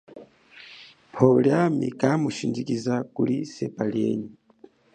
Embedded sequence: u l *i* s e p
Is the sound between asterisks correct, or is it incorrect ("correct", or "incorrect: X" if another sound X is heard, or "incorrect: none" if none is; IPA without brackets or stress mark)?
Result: correct